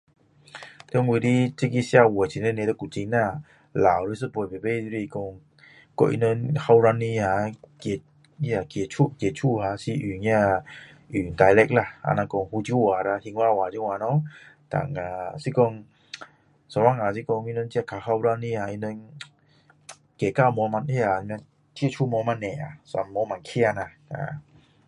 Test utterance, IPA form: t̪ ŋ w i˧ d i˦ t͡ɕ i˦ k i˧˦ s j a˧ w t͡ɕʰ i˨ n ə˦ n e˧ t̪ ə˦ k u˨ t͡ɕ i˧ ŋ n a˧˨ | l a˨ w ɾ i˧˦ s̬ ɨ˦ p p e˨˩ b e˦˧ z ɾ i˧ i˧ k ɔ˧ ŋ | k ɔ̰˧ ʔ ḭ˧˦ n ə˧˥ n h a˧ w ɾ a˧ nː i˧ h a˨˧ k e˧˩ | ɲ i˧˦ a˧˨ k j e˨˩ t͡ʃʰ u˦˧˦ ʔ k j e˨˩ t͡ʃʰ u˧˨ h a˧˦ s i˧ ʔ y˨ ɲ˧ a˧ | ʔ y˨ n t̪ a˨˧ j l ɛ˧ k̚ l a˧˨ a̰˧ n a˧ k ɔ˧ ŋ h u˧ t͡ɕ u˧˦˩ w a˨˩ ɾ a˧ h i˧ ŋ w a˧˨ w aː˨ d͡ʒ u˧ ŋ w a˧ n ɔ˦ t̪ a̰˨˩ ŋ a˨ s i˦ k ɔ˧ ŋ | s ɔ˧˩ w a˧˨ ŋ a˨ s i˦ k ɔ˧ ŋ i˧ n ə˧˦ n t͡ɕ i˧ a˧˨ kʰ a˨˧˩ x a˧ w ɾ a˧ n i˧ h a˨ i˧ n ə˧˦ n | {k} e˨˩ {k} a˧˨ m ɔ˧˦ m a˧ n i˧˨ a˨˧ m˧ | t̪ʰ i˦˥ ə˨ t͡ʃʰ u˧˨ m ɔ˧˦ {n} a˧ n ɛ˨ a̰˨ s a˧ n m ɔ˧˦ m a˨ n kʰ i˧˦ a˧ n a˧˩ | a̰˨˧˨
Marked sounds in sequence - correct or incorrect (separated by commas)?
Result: correct, correct, incorrect